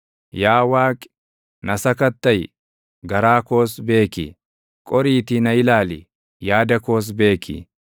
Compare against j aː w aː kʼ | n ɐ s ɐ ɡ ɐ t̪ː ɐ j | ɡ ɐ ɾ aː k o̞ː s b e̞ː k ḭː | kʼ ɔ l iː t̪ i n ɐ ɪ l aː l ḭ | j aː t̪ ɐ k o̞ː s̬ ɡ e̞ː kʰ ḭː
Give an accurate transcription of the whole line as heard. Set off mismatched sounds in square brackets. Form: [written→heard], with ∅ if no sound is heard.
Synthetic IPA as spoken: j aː w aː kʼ | n ɐ s ɐ [ɡ→k] ɐ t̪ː ɐ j | ɡ ɐ ɾ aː k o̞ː s b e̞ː k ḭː | kʼ ɔ [l→ɾ] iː t̪ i n ɐ ɪ l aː l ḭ | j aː [t̪→d̪] ɐ k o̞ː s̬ [ɡ→b] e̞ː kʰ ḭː

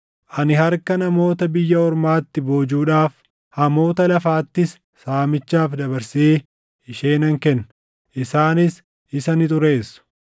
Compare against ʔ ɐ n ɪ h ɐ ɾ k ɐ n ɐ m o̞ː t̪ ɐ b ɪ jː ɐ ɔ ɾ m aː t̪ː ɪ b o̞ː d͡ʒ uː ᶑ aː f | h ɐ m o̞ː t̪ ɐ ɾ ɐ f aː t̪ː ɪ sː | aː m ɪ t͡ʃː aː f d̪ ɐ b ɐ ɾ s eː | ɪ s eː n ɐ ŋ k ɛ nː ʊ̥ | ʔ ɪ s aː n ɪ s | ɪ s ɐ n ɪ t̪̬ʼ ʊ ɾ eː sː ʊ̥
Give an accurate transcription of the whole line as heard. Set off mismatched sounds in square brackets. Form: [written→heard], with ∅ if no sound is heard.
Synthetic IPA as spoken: ʔ ɐ n ɪ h ɐ ɾ k ɐ n ɐ m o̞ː t̪ ɐ b ɪ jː ɐ ɔ ɾ m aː t̪ː ɪ b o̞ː d͡ʒ uː ᶑ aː f | h ɐ m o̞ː t̪ ɐ [ɾ→l] ɐ f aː t̪ː ɪ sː | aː m ɪ t͡ʃː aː f d̪ ɐ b ɐ ɾ s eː | ɪ [s→ʃ] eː n ɐ ŋ k ɛ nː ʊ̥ | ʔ ɪ s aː n ɪ s | ɪ s ɐ n ɪ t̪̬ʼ ʊ ɾ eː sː ʊ̥

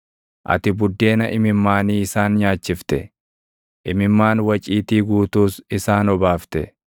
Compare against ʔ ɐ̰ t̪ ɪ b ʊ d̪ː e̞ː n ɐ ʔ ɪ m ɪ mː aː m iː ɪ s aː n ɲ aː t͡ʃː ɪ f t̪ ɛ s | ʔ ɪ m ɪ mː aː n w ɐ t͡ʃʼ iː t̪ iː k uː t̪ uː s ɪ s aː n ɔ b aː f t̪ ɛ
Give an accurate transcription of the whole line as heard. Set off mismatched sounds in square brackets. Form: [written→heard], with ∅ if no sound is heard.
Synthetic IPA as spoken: ʔ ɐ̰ t̪ ɪ b ʊ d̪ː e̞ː n ɐ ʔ ɪ m ɪ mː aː [m→n] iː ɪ s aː n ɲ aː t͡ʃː ɪ f t̪ ɛ [s→∅] | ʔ ɪ m ɪ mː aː n w ɐ t͡ʃʼ iː t̪ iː [k→ɡ] uː t̪ uː s ɪ s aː n ɔ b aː f t̪ ɛ

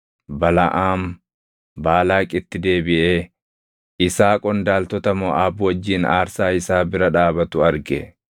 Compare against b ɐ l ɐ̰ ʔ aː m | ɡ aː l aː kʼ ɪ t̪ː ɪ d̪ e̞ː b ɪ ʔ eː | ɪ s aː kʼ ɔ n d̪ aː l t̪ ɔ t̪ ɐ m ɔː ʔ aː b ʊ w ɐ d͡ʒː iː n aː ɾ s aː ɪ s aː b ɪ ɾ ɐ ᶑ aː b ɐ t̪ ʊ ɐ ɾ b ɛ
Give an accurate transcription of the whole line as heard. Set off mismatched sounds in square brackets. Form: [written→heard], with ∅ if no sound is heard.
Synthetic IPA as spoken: b ɐ l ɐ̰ ʔ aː m | [ɡ→b] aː l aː kʼ ɪ t̪ː ɪ d̪ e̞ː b ɪ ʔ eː | ɪ s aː kʼ ɔ n d̪ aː l t̪ ɔ t̪ ɐ m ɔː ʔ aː b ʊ w ɐ d͡ʒː iː n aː ɾ s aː ɪ s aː b ɪ ɾ ɐ ᶑ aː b ɐ t̪ ʊ ɐ ɾ [b→ɡ] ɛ

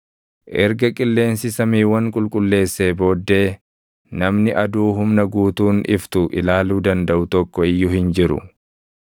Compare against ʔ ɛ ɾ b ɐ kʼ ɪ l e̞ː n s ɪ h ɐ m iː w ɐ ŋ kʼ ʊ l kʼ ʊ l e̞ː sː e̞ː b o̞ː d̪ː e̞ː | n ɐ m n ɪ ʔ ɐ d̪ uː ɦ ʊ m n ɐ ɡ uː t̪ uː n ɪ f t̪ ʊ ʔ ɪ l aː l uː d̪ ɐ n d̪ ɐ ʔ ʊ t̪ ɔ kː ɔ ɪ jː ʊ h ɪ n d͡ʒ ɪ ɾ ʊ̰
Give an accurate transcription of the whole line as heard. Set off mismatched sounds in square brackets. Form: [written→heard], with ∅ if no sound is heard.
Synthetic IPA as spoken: ʔ ɛ ɾ [b→ɡ] ɐ kʼ ɪ [l→lː] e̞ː n s ɪ [h→s] ɐ m iː w ɐ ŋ kʼ ʊ l kʼ ʊ [l→lː] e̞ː sː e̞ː b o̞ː d̪ː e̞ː | n ɐ m n ɪ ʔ ɐ d̪ uː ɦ ʊ m n ɐ ɡ uː t̪ uː n ɪ f t̪ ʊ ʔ ɪ l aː l uː d̪ ɐ n d̪ ɐ ʔ ʊ t̪ ɔ kː ɔ ɪ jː ʊ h ɪ n d͡ʒ ɪ ɾ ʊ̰

